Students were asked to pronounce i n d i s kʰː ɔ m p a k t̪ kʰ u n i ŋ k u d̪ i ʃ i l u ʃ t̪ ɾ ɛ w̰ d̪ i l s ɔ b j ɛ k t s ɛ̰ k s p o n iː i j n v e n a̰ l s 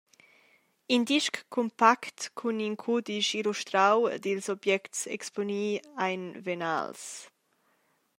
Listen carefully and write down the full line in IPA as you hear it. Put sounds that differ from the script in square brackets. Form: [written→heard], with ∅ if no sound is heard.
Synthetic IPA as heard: i n d i [s→ʃ] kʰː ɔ m p a k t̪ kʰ u n i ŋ [k→kʰ] u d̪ i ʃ i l u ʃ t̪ ɾ [ɛ→a] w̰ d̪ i l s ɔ b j ɛ k t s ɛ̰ k s p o n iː [i→a] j n v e n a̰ l s